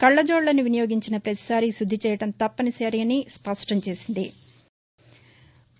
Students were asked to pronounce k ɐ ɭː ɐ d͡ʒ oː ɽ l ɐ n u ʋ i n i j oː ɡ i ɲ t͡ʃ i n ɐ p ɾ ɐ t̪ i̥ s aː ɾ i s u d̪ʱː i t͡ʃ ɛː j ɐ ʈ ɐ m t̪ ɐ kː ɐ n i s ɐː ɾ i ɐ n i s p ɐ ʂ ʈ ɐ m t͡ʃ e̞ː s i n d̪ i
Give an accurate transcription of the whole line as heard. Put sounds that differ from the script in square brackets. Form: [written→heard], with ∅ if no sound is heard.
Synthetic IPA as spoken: k ɐ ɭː ɐ d͡ʒ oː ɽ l ɐ n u ʋ i n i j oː ɡ i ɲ t͡ʃ i n ɐ p ɾ ɐ t̪ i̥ s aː ɾ i s u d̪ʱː i t͡ʃ ɛː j ɐ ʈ ɐ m t̪ ɐ [kː→pː] ɐ n i s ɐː ɾ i ɐ n i s p ɐ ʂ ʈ ɐ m t͡ʃ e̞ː s i n d̪ i